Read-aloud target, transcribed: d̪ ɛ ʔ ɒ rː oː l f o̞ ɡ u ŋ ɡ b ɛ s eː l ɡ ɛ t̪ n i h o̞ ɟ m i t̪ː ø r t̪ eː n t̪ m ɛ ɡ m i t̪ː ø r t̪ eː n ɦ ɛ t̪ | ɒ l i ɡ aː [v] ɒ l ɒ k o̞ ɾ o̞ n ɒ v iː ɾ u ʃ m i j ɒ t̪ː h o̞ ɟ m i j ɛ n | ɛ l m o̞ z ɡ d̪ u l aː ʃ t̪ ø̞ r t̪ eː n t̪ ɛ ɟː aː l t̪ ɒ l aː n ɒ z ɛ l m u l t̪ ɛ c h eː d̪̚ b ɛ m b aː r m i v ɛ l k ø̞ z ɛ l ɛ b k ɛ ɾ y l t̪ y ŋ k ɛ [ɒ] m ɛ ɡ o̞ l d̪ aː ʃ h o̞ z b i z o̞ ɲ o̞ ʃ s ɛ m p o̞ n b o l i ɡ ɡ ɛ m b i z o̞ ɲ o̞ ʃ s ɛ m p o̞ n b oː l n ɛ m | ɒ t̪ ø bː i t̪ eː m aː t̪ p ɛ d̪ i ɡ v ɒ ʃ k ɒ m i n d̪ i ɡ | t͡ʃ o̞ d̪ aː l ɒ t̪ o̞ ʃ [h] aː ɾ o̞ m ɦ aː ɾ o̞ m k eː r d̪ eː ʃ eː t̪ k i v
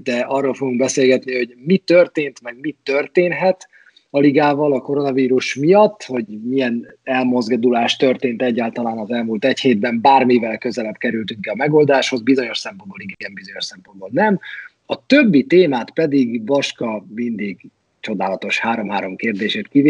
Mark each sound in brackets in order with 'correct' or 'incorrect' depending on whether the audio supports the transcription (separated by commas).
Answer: correct, correct, correct